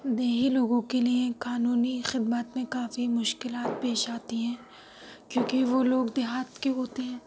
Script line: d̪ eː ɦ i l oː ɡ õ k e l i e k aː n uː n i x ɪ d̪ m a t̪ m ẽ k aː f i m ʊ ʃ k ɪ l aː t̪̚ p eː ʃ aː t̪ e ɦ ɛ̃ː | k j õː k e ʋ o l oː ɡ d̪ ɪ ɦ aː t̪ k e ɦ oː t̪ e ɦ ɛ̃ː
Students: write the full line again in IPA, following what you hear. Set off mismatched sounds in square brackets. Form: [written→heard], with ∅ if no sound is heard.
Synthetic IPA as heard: d̪ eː ɦ i l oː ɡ õ k e l i e k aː n uː n i x ɪ d̪ m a t̪ m ẽ k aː f i m ʊ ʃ k ɪ l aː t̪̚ p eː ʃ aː t̪ [e→i] ɦ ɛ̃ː | k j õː k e ʋ o l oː ɡ d̪ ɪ ɦ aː t̪ k e ɦ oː t̪ e ɦ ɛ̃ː